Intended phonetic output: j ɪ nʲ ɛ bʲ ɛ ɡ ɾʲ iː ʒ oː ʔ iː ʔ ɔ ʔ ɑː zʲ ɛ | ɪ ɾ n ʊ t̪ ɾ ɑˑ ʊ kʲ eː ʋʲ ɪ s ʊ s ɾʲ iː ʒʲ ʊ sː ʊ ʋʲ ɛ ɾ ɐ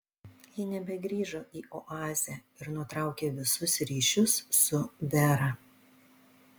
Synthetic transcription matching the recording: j ɪ nʲ ɛ bʲ ɛ ɡ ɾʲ iː ʒ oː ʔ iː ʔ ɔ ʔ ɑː zʲ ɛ | ɪ ɾ n ʊ t̪ ɾ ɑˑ ʊ kʲ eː ʋʲ ɪ s ʊ s ɾʲ iː ʃʲ ʊ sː ʊ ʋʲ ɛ ɾ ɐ